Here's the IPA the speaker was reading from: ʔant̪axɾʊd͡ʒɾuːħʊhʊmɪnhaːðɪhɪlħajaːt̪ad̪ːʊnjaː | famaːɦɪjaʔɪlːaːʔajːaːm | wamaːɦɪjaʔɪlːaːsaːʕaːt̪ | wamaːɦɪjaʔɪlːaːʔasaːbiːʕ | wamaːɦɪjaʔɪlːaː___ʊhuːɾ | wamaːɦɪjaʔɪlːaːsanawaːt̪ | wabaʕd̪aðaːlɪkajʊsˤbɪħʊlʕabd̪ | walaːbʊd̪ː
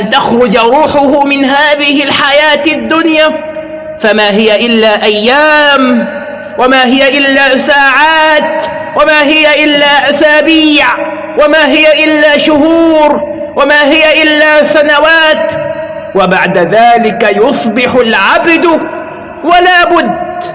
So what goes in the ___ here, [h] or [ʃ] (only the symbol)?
ʃ